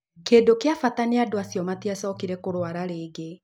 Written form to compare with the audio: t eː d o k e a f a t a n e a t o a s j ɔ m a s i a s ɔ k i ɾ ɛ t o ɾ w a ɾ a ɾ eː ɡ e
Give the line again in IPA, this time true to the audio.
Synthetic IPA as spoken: k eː d o k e a f a t a n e a d o a s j ɔ m a t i a s ɔ k i ɾ ɛ k o ɾ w a ɾ a ɾ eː ɡ e